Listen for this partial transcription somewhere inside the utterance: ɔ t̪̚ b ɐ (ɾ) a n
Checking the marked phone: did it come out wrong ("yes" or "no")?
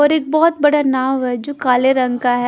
yes